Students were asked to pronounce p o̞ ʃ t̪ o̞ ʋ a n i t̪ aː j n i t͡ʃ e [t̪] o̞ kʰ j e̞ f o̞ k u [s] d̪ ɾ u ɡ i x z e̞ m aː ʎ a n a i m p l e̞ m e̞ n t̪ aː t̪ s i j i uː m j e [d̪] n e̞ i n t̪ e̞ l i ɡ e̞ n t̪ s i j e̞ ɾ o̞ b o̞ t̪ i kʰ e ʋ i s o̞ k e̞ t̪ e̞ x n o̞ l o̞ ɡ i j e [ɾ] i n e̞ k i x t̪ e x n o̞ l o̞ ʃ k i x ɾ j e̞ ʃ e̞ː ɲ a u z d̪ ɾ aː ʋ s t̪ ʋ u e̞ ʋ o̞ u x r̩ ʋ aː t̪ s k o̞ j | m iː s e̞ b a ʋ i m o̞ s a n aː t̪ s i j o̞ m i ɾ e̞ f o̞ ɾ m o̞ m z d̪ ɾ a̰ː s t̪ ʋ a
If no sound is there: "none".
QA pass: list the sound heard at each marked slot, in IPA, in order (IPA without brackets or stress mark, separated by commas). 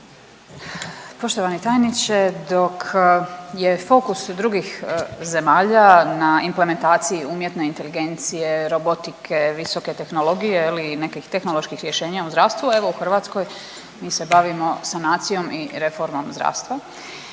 d̪, s, t̪, l